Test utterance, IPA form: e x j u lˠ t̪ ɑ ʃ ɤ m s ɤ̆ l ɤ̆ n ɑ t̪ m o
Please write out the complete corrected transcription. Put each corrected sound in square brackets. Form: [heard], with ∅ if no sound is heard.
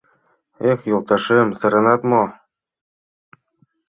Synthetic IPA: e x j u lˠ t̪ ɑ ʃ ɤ m s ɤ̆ [ɾ] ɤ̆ n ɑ t̪ m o